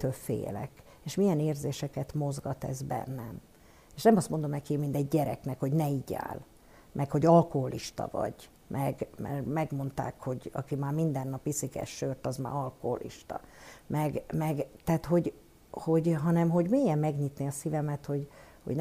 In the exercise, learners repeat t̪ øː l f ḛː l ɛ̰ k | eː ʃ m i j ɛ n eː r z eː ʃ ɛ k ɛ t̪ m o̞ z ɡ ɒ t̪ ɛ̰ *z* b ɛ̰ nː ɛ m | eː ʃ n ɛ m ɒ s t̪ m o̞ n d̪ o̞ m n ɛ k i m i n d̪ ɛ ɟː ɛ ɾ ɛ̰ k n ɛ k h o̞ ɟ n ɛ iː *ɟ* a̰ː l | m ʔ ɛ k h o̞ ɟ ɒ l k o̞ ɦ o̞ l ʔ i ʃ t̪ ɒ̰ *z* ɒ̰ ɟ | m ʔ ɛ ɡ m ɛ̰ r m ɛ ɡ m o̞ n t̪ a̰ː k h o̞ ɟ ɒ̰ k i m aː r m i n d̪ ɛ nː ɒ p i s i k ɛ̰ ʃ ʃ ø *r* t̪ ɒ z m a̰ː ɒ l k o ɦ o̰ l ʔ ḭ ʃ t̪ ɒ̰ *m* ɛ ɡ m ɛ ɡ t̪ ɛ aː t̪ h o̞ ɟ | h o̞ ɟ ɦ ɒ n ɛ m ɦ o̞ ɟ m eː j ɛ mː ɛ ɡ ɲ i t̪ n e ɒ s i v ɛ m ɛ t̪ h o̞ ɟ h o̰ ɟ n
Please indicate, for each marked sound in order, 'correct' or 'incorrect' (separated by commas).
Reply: correct, correct, incorrect, correct, correct